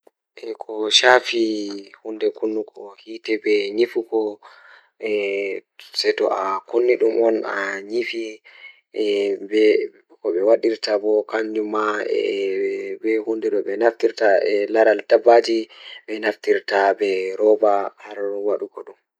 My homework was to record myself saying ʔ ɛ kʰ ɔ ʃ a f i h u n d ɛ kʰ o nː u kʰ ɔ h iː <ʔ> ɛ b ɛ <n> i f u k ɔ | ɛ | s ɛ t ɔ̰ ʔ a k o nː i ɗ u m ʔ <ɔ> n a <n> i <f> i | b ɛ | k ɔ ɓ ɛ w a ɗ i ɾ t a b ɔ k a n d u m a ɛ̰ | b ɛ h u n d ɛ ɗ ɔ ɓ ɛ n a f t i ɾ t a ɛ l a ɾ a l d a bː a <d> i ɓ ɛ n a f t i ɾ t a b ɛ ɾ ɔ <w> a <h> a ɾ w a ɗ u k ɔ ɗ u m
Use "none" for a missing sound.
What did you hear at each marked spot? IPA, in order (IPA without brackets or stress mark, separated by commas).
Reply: t, ɲ, ɔ, ɲ, f, d͡ʒ, b, h